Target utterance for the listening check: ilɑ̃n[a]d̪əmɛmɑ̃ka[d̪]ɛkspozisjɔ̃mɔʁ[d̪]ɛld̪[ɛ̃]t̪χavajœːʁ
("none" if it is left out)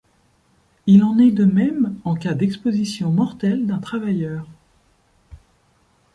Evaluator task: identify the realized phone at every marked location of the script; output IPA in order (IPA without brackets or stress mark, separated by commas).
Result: ɛ, d̪, t̪, ɛ̃